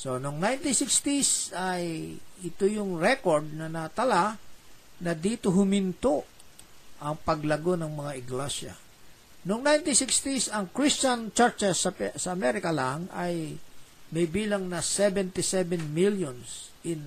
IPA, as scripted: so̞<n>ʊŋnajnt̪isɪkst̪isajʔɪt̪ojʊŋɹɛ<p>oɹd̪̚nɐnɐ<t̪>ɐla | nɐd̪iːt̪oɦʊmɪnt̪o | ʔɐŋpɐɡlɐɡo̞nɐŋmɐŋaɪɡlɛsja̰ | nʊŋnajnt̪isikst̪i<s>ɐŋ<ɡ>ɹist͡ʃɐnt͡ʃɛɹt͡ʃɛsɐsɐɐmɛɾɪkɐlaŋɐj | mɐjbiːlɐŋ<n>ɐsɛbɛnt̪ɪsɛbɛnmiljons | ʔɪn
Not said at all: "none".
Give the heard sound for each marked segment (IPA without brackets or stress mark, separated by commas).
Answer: n, k, t̪, s, k, n